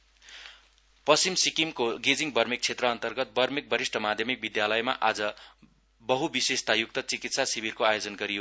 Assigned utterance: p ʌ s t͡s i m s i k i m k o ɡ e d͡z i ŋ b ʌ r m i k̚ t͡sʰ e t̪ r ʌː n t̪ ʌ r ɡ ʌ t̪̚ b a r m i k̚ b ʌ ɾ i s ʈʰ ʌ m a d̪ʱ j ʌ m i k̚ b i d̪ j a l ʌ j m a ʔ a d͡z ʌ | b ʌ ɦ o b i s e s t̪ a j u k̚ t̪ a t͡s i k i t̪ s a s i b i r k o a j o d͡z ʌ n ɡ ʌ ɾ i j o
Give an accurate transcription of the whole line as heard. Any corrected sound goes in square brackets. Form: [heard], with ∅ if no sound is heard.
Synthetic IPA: p ʌ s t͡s i m s i k i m k o ɡ e d͡z i ŋ b ʌ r m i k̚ t͡sʰ e t̪ r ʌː n t̪ ʌ r ɡ ʌ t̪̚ b [ʌ] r m i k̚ b ʌ ɾ i s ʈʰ ʌ m a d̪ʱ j ʌ m i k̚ b i d̪ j a l ʌ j m a ʔ a d͡z ʌ | b ʌ ɦ [u] b i s e s t̪ a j u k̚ t̪ [ʌ] t͡s i k i t̪ s a s i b i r k o a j o d͡z ʌ n ɡ ʌ ɾ i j o